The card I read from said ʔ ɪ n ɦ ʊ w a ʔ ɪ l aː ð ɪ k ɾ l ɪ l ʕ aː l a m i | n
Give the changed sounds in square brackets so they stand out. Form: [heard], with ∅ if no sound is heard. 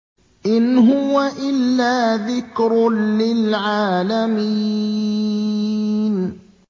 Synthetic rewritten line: ʔ ɪ n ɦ ʊ w a ʔ ɪ [lː] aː ð ɪ k ɾ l ɪ l ʕ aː l a m i | n